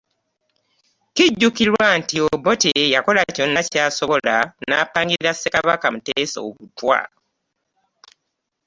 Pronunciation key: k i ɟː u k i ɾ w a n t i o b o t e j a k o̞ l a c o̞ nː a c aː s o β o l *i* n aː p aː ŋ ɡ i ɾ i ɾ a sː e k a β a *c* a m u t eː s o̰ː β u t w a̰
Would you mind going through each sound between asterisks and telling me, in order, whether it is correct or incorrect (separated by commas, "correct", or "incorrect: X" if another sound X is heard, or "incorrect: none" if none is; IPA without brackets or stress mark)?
incorrect: a, incorrect: k